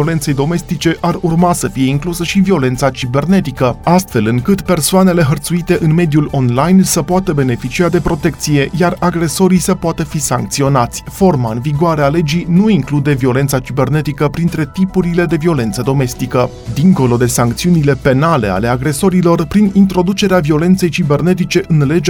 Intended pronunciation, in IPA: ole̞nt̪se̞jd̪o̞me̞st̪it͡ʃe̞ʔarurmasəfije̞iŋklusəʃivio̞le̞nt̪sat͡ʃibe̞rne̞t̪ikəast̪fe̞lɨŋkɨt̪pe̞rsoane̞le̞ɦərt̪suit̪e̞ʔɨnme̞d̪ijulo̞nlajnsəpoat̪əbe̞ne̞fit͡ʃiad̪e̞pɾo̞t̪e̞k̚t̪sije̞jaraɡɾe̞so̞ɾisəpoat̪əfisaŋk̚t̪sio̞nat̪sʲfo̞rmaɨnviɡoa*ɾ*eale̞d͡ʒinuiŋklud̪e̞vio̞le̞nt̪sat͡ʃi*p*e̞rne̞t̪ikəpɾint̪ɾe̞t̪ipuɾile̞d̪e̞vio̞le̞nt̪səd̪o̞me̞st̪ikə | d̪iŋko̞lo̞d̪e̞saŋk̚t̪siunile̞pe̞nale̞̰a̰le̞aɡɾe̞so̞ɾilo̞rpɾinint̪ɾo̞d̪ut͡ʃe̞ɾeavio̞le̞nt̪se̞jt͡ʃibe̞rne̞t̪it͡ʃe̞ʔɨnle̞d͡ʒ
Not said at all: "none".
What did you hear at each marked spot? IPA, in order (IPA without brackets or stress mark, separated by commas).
ɾ, b